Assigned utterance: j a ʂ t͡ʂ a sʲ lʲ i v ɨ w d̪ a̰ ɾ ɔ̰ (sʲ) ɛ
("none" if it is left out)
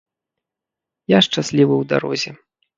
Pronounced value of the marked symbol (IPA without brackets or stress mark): zʲ